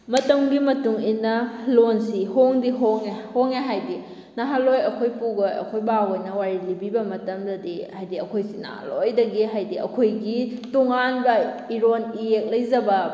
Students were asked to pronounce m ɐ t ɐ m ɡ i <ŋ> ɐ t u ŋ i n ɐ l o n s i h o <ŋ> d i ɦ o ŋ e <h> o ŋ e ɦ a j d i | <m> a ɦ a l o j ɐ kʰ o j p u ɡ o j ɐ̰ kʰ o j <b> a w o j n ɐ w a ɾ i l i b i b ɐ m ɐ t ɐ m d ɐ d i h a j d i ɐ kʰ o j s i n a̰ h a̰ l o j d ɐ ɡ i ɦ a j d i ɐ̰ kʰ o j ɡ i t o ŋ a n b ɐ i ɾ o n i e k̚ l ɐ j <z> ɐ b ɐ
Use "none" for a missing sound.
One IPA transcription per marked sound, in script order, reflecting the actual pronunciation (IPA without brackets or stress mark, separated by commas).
m, ŋ, h, n, b, z